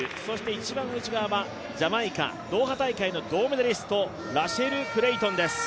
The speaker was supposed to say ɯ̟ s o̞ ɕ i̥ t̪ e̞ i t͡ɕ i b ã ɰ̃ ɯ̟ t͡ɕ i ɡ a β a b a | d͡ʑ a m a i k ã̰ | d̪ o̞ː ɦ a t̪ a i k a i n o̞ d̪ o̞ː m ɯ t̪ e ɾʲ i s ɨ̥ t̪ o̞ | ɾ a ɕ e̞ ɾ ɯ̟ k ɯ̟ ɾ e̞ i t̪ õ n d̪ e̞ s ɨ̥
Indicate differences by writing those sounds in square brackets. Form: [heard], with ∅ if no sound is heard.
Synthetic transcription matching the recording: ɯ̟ s o̞ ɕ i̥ t̪ e̞ i t͡ɕ i b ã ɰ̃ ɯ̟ t͡ɕ i ɡ a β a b a | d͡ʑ a m a i k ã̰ | d̪ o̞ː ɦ a t̪ a i k a i n o̞ d̪ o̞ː m ɯ [d̪] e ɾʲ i s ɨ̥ t̪ o̞ | ɾ a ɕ e̞ ɾ ɯ̟ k ɯ̟ ɾ e̞ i t̪ õ n d̪ e̞ s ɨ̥